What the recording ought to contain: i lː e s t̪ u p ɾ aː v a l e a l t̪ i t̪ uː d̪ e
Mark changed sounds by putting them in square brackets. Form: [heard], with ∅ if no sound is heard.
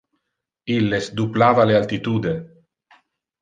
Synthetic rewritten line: i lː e s [d̪] u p [l] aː v a l e a l t̪ i t̪ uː d̪ e

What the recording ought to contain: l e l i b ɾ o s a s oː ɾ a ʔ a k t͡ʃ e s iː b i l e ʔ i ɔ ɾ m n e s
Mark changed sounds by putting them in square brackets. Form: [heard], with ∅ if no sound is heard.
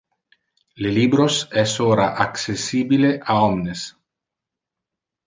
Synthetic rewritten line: l e l i b ɾ o s [ɛ] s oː ɾ a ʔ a k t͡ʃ e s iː b i l e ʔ [a] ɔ [∅] m n e s

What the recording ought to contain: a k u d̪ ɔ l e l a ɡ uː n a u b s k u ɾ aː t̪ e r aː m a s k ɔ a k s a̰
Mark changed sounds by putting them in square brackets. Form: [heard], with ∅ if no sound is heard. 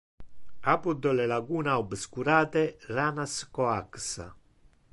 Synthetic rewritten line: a [p] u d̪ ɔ l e l a ɡ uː n a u b s k u ɾ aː t̪ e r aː [n] a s k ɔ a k s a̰

